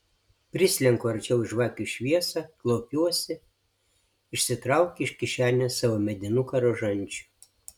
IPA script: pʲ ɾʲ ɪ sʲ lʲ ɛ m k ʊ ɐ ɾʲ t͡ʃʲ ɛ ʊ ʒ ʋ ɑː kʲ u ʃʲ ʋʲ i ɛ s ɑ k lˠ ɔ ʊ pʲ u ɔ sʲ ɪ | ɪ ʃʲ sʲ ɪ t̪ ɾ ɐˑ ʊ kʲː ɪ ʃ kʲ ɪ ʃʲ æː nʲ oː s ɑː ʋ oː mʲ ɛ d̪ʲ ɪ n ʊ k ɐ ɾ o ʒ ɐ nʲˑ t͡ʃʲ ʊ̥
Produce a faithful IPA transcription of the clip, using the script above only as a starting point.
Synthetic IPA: pʲ ɾʲ ɪ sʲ lʲ ɛ ŋ k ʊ ɐ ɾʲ t͡ʃʲ ɛ ʊ ʒ ʋ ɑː kʲ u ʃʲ ʋʲ i ɛ s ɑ k lˠ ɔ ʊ pʲ u ɔ sʲ ɪ | ɪ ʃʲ sʲ ɪ t̪ ɾ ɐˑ ʊ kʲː ɪ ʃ kʲ ɪ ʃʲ æː nʲ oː s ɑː ʋ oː mʲ ɛ d̪ʲ ɪ n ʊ k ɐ ɾ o ʒ ɐ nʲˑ t͡ʃʲ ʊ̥